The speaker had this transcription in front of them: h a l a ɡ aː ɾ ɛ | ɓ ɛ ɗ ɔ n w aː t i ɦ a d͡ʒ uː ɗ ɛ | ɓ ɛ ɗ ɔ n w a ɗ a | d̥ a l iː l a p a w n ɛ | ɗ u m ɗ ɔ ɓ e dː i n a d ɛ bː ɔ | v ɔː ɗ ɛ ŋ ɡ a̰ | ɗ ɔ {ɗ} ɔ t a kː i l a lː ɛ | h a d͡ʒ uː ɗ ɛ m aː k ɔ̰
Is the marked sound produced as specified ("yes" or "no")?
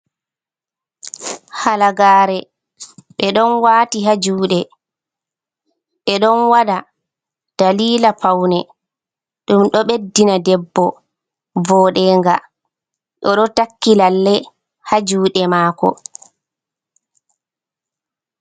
yes